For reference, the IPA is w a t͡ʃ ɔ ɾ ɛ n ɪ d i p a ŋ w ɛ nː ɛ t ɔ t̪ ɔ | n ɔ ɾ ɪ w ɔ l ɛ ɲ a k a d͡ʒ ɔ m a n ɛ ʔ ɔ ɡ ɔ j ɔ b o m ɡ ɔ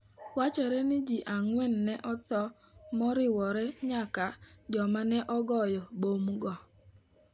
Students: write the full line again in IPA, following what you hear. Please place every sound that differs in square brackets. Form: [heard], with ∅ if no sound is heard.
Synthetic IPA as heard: w a t͡ʃ ɔ ɾ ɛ n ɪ [d͡ʒ] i [ʔ] a ŋ w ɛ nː ɛ [ʔ] ɔ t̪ ɔ | [m] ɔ ɾ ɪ w ɔ [ɾ] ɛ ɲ a k a d͡ʒ ɔ m a n ɛ ʔ ɔ ɡ ɔ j ɔ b o m ɡ ɔ